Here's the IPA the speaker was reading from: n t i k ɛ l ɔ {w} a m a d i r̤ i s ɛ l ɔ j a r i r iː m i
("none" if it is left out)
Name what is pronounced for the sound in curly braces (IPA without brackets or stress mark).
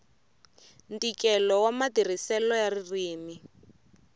w